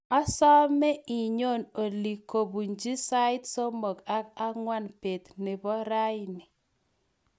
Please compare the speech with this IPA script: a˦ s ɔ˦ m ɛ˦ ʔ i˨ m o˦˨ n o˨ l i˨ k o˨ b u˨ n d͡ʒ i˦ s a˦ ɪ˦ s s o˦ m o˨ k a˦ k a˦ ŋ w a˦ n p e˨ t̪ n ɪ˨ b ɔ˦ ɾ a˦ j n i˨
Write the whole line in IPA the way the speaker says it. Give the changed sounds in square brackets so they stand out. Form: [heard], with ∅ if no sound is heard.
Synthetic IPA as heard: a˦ s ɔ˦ m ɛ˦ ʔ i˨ [ɲ] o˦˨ n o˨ l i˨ k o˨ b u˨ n d͡ʒ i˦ s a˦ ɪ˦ [t] s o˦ m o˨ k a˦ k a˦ ŋ w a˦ n p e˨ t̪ n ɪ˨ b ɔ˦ ɾ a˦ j n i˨

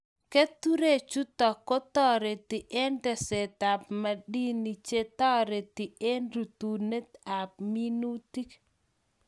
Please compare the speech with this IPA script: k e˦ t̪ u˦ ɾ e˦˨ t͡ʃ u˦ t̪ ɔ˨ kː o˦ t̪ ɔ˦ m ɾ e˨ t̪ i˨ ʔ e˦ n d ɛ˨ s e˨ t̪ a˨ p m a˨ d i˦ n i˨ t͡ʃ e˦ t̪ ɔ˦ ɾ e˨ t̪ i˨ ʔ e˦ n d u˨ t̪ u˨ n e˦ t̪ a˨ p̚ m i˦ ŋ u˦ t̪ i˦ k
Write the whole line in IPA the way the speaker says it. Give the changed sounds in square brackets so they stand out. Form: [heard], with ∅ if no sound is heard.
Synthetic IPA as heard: k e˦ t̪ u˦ ɾ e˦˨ t͡ʃ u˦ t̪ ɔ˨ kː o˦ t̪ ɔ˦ [∅] ɾ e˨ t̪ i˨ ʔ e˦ n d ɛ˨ s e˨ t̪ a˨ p m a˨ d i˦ n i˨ t͡ʃ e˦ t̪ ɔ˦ ɾ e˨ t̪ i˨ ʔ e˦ n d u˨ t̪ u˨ n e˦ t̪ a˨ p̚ m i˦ [n] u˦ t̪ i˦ k

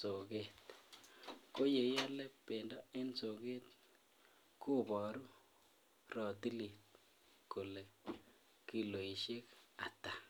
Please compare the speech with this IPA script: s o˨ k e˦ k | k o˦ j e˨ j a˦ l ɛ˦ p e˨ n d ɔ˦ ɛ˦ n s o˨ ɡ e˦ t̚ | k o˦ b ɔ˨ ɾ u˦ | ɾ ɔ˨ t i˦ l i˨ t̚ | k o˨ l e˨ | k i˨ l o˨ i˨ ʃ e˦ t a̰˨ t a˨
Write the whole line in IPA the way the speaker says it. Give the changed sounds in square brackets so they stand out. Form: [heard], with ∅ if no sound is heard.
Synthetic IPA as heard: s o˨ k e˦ [t] | k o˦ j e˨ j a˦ l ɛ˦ p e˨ n d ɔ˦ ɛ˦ n s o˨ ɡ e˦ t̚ | k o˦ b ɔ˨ ɾ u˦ | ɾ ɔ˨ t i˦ l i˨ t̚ | k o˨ l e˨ | k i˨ l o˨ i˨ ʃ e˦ [k] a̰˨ t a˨

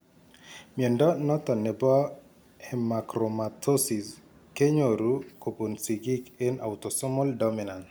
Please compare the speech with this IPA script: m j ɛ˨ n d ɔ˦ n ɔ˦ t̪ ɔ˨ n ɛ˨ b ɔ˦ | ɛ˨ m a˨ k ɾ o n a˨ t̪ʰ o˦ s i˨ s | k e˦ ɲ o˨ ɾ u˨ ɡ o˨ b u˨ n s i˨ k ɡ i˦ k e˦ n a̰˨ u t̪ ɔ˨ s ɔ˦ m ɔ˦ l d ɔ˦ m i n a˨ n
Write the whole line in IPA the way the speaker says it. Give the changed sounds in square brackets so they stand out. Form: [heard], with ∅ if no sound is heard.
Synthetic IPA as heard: m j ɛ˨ n d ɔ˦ n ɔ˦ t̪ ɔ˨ n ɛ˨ b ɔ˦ | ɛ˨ m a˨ k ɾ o [m] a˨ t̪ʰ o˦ s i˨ s | k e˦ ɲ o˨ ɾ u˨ [k] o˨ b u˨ n s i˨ [∅] ɡ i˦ k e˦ n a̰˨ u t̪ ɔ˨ s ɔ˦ m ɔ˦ l d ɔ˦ m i n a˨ n

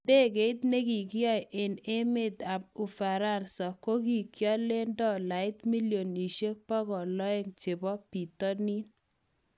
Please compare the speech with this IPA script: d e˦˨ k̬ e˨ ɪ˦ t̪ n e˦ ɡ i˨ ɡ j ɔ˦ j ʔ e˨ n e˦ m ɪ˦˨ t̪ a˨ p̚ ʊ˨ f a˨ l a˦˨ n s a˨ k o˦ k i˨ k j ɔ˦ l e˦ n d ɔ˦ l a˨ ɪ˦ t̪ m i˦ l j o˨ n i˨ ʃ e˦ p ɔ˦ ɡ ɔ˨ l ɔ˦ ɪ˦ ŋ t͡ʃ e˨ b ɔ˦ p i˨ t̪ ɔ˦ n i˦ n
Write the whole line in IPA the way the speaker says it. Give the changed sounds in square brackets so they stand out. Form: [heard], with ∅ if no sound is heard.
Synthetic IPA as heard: d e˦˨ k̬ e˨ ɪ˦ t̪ n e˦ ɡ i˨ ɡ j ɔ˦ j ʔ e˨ n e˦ m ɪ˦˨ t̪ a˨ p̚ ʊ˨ f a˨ [ɾ] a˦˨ n s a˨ k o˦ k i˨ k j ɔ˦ l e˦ n d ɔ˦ l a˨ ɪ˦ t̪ m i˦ l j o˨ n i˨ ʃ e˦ p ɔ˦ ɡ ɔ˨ l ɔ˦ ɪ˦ ŋ t͡ʃ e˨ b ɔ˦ p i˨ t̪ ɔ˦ n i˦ n

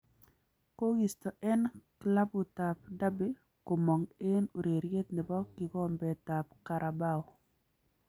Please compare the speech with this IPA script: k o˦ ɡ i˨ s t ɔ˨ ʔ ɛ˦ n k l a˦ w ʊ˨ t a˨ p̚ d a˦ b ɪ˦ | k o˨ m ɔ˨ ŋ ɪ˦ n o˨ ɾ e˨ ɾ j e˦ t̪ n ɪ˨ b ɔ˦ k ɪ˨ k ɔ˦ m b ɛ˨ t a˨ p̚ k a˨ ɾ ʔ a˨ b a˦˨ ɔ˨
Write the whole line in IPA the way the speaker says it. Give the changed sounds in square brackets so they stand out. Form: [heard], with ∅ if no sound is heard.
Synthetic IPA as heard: k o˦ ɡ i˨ s t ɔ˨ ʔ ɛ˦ n k l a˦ [b] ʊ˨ t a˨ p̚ d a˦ b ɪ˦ | k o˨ m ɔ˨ ŋ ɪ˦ n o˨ ɾ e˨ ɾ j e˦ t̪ n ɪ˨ b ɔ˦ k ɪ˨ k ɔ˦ m b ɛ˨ t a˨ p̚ k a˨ ɾ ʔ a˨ b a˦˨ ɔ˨

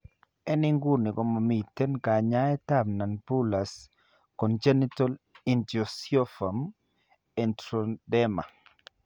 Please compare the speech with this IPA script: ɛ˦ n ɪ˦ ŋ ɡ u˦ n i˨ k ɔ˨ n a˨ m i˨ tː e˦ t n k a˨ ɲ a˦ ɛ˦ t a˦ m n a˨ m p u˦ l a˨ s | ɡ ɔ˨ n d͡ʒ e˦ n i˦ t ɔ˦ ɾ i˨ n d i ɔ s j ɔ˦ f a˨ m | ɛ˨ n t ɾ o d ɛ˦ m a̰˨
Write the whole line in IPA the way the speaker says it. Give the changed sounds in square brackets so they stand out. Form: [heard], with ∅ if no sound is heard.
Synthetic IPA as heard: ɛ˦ n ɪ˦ ŋ ɡ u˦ n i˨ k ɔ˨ [m] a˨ m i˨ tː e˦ [∅] n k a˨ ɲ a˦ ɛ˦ t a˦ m n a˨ [n] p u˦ l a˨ s | [k] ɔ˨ n d͡ʒ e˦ n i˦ t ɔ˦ [l] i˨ n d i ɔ s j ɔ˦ f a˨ m | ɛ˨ n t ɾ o d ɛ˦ m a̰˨

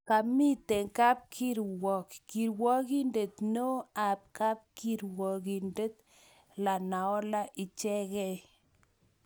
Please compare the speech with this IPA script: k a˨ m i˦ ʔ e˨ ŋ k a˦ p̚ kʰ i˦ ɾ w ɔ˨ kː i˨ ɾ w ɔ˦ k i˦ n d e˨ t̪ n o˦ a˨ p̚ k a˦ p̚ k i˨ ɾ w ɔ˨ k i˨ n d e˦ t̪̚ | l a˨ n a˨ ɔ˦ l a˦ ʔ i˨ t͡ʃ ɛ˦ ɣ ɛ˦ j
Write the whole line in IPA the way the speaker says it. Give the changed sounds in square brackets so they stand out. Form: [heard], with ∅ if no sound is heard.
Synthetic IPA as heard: k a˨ m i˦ [t] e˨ ŋ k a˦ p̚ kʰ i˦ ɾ w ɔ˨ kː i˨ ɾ w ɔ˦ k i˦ n d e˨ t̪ n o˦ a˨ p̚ k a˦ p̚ k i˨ ɾ w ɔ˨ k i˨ n d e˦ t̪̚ | l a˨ n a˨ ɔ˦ l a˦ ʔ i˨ t͡ʃ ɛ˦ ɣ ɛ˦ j

